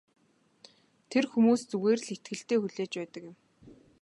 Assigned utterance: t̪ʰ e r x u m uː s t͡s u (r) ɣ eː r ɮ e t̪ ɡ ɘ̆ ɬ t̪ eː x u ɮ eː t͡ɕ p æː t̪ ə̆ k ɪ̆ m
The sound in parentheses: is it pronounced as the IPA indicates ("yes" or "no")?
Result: no